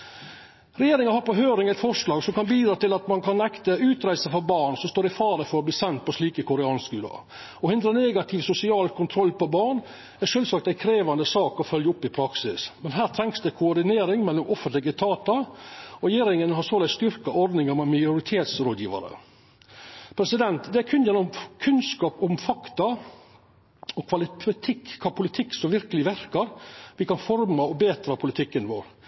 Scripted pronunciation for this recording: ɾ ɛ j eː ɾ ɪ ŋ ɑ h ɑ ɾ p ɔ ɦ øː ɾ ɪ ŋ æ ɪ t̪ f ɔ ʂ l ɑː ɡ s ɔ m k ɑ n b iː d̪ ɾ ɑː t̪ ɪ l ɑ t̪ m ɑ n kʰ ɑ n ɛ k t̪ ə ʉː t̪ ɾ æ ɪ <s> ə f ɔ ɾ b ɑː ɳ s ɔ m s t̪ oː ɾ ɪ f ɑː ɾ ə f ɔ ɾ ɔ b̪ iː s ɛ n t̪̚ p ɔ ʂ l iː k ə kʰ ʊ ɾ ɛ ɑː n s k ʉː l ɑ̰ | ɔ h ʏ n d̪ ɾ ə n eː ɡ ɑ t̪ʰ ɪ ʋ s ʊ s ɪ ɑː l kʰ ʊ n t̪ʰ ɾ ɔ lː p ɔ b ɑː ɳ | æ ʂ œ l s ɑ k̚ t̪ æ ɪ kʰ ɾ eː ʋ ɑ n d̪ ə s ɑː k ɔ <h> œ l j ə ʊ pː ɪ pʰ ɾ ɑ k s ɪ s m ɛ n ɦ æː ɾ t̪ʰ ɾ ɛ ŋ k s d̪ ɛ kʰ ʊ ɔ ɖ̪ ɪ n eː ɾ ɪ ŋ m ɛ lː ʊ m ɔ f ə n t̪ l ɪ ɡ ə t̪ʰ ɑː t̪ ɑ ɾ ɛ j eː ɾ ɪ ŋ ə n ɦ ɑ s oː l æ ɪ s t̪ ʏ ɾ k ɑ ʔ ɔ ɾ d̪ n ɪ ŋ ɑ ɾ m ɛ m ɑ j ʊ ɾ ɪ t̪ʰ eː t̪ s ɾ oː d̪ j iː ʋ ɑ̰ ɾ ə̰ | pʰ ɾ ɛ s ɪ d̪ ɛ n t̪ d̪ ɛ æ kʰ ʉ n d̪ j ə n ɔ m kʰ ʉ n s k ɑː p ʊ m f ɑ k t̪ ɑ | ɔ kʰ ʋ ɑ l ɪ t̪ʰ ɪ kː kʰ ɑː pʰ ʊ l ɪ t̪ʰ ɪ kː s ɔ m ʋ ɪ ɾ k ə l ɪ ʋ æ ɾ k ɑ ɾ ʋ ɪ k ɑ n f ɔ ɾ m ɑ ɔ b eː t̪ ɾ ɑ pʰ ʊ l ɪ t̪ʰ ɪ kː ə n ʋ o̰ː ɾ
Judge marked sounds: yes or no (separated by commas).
yes, no